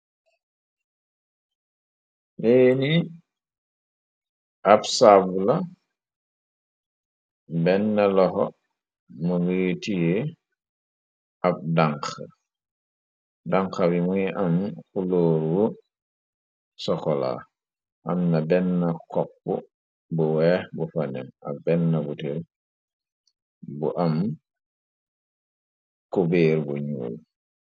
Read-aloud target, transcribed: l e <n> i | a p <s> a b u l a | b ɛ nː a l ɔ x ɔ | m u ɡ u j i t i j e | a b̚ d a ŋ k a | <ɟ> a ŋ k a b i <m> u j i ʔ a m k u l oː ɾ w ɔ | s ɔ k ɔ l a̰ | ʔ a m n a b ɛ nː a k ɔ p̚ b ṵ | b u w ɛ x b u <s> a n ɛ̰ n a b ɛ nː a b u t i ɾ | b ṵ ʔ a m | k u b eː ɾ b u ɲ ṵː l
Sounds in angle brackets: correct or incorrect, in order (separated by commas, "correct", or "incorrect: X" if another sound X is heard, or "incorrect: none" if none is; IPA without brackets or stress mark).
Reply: correct, correct, incorrect: d, correct, incorrect: f